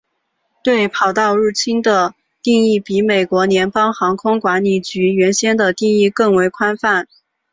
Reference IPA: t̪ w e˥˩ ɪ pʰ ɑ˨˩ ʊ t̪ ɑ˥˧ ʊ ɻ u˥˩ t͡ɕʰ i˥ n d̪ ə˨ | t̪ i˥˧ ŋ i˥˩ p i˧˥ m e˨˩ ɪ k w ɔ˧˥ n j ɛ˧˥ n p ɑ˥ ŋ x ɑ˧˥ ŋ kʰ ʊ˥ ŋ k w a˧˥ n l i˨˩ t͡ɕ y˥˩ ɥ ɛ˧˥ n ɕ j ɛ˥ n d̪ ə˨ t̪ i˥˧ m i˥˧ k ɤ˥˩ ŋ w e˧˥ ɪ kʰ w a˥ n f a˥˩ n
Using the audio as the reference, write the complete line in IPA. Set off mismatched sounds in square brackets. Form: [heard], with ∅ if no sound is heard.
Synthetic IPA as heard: t̪ w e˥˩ ɪ pʰ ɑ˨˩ ʊ t̪ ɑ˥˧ ʊ ɻ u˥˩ t͡ɕʰ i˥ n d̪ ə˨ | t̪ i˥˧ ŋ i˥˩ p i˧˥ m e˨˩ ɪ k w ɔ˧˥ n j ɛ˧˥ n p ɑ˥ ŋ x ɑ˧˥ ŋ kʰ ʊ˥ ŋ k w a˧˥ n l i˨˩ t͡ɕ [y˧˥] ɥ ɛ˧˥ n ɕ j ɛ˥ n d̪ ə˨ t̪ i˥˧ [ŋ] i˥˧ k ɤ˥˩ ŋ w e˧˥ ɪ kʰ w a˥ n f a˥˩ n

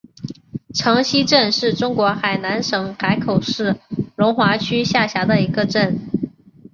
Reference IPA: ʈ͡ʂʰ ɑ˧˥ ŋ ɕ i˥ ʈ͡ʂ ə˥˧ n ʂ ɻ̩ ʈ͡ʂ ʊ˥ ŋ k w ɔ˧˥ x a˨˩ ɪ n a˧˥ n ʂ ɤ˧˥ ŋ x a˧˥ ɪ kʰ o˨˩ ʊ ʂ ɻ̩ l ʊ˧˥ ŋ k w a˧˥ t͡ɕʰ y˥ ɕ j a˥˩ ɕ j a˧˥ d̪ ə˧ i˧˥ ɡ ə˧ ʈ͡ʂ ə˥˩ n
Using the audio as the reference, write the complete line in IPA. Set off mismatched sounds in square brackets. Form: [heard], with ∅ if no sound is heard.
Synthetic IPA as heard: ʈ͡ʂʰ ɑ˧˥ ŋ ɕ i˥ ʈ͡ʂ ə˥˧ n ʂ ɻ̩ ʈ͡ʂ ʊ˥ ŋ k w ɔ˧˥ x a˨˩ ɪ n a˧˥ n ʂ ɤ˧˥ ŋ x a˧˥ ɪ kʰ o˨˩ ʊ ʂ ɻ̩ l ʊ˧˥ ŋ [x] w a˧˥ t͡ɕʰ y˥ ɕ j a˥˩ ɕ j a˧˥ d̪ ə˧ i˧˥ ɡ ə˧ ʈ͡ʂ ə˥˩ n

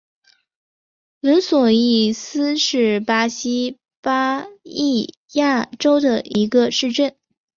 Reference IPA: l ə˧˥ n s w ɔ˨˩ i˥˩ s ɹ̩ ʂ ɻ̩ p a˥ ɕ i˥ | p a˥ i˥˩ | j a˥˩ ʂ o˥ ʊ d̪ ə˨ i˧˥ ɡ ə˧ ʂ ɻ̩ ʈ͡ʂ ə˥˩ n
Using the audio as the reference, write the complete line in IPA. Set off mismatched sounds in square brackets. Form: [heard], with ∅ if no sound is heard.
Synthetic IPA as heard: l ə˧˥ n s w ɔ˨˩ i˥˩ s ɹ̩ ʂ ɻ̩ p a˥ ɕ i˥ | p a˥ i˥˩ | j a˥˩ [ʈ͡ʂ] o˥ ʊ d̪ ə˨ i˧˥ ɡ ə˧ ʂ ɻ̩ ʈ͡ʂ ə˥˩ n

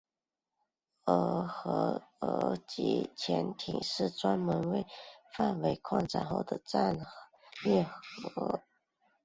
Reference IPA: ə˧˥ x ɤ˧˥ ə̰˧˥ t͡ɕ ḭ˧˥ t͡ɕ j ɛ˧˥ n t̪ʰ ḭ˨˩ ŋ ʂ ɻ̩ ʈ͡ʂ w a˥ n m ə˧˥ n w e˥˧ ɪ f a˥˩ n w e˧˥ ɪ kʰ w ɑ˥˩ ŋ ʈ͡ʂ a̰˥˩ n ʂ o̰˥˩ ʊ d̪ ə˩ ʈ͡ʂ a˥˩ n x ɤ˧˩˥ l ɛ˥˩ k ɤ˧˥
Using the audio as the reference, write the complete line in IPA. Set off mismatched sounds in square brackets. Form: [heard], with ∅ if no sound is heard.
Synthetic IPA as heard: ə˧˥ x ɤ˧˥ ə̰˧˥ t͡ɕ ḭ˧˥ [t͡ɕʰ] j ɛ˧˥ n t̪ʰ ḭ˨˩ ŋ ʂ ɻ̩ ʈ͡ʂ w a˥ n m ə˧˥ n w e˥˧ ɪ f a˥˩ n w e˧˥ ɪ kʰ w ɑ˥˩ ŋ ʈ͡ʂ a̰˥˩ n [x] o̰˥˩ ʊ d̪ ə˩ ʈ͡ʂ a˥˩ n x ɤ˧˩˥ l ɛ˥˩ [x] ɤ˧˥

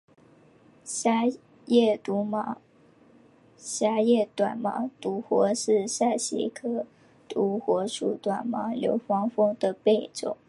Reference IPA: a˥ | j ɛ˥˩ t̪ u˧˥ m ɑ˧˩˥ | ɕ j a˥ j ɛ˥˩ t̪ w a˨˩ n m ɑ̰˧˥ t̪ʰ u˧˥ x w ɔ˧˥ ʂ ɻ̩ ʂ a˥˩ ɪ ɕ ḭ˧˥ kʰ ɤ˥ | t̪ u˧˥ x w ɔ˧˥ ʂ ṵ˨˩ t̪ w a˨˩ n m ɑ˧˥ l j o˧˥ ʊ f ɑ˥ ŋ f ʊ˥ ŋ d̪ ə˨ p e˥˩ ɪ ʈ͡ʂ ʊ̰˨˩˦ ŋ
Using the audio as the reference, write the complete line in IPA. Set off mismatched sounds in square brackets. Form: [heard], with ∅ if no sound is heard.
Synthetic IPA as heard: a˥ | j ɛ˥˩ t̪ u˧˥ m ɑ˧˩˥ | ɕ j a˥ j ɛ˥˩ t̪ w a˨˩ n m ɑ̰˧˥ [t̪] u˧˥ x w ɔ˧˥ ʂ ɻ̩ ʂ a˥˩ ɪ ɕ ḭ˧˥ kʰ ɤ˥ | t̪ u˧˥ x w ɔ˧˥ ʂ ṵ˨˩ t̪ w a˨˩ n m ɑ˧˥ l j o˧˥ ʊ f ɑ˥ ŋ f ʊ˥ ŋ d̪ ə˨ p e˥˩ ɪ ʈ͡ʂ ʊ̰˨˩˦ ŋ

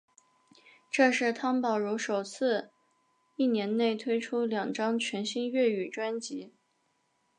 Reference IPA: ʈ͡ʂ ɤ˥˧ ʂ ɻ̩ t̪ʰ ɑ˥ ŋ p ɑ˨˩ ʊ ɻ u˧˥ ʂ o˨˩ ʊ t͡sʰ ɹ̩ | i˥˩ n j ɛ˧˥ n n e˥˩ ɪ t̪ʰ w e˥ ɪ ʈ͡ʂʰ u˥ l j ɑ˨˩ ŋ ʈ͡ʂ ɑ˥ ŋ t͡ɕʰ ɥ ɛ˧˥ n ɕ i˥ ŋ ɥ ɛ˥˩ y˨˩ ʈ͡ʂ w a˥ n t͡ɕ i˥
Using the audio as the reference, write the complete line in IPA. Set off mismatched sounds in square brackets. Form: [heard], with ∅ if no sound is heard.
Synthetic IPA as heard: ʈ͡ʂ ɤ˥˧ ʂ ɻ̩ t̪ʰ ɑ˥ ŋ p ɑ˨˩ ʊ ɻ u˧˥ ʂ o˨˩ ʊ t͡sʰ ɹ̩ | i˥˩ n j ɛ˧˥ n n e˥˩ ɪ t̪ʰ w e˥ ɪ ʈ͡ʂʰ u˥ l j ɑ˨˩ ŋ ʈ͡ʂ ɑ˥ ŋ t͡ɕʰ ɥ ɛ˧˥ n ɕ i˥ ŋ ɥ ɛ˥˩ y˨˩ ʈ͡ʂ w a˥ n t͡ɕ [i˧˥]

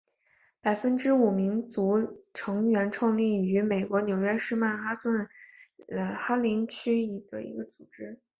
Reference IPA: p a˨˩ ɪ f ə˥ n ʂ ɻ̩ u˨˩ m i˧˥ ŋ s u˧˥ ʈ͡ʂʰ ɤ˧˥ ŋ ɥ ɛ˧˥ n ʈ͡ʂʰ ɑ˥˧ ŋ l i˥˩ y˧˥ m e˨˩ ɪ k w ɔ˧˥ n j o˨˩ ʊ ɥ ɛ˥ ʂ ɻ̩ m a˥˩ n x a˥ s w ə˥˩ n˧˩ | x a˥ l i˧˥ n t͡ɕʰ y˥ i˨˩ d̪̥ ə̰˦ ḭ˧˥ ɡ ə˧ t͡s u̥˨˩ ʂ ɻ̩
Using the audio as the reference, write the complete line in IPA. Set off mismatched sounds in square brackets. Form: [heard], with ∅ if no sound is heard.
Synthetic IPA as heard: p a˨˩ ɪ f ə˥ n [ʈ͡ʂ] ɻ̩ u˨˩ m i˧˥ ŋ [t͡s] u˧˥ ʈ͡ʂʰ ɤ˧˥ ŋ ɥ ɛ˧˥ n ʈ͡ʂʰ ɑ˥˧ ŋ l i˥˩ y˧˥ m e˨˩ ɪ k w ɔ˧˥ n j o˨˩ ʊ ɥ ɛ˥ ʂ ɻ̩ m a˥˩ n x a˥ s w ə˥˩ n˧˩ | x a˥ l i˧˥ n t͡ɕʰ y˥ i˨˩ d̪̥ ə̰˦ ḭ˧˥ ɡ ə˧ t͡s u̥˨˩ [ʈ͡ʂ] ɻ̩

